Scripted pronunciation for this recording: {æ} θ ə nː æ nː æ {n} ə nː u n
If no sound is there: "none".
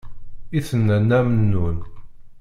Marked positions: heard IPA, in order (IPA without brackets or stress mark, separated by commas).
i, m